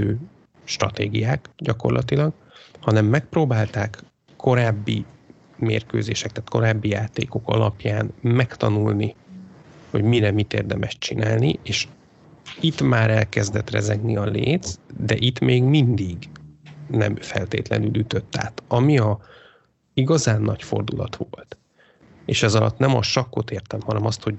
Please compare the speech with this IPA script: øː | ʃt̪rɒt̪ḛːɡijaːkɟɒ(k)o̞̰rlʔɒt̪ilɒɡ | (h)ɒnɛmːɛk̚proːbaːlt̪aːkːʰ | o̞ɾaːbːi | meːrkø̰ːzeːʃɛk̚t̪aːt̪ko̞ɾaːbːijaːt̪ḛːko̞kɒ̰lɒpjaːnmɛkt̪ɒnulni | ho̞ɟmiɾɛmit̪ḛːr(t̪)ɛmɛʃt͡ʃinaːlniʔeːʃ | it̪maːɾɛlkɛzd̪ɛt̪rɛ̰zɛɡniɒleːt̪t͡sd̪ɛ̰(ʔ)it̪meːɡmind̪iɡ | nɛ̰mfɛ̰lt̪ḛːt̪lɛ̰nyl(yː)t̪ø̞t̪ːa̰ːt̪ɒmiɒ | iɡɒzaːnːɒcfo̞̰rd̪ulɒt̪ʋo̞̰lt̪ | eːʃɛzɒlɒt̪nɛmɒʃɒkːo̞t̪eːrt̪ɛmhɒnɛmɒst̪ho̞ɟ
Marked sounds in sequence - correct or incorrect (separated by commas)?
correct, correct, incorrect, correct, incorrect